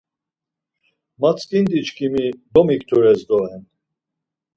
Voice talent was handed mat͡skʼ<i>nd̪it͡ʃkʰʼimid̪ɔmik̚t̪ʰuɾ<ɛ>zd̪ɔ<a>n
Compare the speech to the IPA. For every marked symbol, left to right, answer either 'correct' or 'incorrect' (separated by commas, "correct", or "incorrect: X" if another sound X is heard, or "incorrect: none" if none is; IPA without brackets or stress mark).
correct, correct, incorrect: ɛ